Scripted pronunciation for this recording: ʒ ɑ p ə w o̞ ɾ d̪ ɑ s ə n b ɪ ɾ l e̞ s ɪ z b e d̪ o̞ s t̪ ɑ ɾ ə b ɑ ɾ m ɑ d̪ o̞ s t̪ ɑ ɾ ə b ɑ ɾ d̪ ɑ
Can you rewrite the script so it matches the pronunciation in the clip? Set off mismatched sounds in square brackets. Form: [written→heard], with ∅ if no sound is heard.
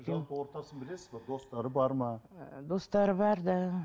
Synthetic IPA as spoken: ʒ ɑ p ə w o̞ ɾ [d̪→t̪] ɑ s ə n b ɪ [ɾ→∅] l e̞ s ɪ z b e d̪ o̞ s t̪ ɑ ɾ ə b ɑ ɾ m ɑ d̪ o̞ s t̪ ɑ ɾ ə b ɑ ɾ d̪ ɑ